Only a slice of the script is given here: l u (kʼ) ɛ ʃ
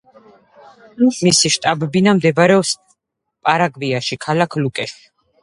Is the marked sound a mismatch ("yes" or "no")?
no